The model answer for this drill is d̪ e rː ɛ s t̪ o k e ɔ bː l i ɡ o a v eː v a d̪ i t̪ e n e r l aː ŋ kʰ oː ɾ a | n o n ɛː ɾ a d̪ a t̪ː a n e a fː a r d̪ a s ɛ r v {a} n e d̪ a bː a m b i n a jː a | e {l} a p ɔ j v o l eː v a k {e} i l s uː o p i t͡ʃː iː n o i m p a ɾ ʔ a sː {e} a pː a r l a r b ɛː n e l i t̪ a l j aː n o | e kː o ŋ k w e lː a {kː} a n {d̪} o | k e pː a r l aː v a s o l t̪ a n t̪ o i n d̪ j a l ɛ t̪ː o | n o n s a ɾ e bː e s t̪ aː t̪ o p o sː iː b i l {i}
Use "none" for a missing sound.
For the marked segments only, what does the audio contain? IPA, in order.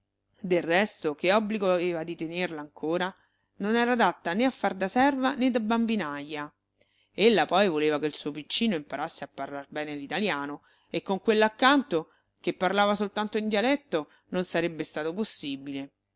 a, lː, e, e, kː, t̪, e

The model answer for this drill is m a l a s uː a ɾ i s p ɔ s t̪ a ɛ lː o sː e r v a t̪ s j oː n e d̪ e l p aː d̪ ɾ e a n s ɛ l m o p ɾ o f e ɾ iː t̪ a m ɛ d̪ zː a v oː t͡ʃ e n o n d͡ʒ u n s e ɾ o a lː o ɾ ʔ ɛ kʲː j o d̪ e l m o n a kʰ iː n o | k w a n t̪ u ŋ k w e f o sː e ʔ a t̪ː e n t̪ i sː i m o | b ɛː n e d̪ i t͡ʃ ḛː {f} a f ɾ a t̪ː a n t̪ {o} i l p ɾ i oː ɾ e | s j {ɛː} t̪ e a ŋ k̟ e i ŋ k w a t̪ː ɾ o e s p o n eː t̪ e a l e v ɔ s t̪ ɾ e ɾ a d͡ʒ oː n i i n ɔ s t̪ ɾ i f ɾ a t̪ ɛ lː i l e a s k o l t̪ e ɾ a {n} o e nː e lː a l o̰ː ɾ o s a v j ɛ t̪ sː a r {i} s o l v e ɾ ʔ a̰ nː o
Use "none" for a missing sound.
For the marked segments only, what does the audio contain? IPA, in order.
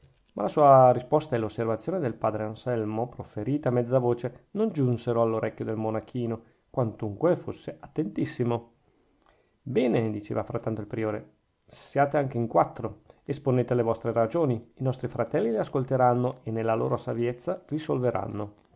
v, o, aː, nː, i

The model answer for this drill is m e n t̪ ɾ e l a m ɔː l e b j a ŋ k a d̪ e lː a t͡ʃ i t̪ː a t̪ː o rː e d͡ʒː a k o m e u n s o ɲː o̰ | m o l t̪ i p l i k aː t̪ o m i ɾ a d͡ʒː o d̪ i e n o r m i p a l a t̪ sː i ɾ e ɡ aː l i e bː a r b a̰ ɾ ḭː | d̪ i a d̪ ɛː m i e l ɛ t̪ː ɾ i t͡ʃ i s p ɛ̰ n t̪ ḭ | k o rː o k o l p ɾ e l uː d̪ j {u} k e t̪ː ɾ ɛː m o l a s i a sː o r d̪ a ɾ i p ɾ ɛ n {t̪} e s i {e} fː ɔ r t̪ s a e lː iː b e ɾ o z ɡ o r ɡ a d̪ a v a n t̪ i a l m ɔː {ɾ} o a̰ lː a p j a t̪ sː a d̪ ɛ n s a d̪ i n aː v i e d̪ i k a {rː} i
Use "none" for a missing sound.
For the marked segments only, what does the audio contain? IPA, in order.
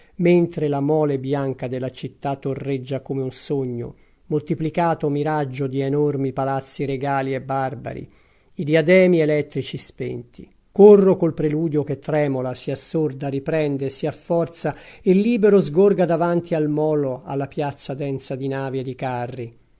o, d̪, a, l, rː

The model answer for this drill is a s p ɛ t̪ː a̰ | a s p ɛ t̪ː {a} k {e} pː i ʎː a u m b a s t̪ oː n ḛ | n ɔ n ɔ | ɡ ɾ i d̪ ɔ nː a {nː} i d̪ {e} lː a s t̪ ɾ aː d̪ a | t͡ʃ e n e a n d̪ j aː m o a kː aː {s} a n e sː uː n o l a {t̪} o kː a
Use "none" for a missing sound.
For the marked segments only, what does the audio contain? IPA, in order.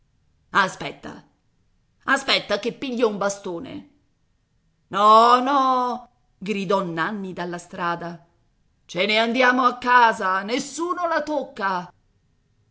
a, e, nː, a, z, t̪

